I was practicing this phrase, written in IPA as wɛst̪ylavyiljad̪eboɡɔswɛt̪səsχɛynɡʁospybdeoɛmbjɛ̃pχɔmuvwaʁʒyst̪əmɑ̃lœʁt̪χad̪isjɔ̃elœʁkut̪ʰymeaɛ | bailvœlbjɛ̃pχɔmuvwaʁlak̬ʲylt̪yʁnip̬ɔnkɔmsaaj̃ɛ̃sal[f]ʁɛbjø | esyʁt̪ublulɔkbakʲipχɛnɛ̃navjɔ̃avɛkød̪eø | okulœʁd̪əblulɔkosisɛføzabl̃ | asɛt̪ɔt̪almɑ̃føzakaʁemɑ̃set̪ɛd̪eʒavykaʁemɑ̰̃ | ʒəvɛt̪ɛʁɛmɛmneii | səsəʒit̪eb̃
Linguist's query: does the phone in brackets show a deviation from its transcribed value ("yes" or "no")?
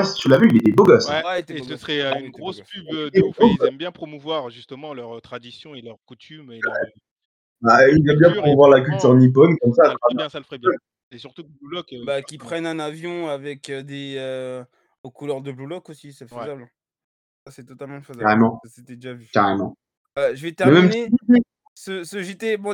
no